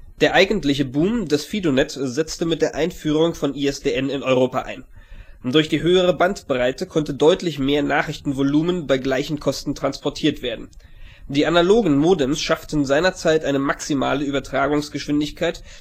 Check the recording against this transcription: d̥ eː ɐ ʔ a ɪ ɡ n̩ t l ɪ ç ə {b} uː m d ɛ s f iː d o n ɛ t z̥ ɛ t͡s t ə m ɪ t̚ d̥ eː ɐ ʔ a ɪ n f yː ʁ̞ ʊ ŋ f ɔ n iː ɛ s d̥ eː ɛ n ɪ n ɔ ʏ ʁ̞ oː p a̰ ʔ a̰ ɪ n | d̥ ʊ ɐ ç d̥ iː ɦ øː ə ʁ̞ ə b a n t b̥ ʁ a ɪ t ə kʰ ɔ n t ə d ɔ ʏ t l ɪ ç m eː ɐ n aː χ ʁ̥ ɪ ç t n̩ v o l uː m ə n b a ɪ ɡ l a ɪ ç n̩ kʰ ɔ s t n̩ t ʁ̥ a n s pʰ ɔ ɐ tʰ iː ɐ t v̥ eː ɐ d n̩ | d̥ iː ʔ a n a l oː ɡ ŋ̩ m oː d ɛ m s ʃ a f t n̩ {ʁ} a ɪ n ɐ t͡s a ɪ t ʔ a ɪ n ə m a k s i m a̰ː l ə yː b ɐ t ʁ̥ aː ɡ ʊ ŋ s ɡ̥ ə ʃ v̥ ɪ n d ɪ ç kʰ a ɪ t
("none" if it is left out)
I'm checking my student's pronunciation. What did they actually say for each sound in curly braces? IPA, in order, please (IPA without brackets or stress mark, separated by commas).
b, z